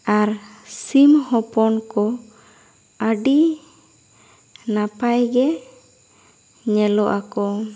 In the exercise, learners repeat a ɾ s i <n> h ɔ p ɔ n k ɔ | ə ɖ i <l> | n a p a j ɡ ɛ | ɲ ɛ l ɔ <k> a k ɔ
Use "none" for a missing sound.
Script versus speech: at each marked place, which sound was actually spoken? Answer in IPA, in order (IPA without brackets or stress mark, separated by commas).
m, none, ʔ